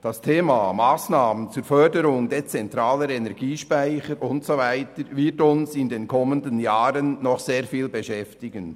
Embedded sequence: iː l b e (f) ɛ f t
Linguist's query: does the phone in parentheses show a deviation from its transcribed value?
yes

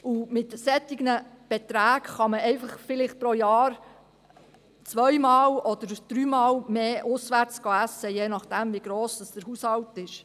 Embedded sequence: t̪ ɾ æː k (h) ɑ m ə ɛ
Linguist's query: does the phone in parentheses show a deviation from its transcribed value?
yes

